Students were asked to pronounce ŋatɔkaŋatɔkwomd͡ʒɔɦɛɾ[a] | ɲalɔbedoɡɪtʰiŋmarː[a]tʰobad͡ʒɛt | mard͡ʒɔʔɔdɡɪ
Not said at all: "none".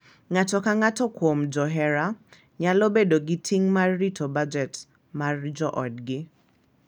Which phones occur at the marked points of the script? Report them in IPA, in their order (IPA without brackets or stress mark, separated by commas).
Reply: a, i